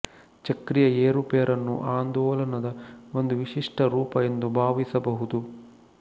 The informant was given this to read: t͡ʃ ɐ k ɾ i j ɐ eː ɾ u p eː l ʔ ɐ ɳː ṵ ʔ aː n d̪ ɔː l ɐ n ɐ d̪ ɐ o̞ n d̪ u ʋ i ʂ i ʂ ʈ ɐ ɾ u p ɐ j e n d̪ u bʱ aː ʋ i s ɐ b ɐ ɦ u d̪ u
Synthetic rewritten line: t͡ʃ ɐ k ɾ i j ɐ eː ɾ u p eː ɾ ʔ ɐ nː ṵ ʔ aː n d̪ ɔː l ɐ n ɐ d̪ ɐ o̞ n d̪ u ʋ i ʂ i ʂ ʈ ɐ ɾ uː p ɐ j e n d̪ u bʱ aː ʋ i s ɐ b ɐ ɦ u d̪ u